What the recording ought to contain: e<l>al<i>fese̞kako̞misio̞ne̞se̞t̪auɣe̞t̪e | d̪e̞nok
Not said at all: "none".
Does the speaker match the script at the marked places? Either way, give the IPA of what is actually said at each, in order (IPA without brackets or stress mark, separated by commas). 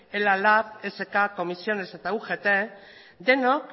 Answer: l, a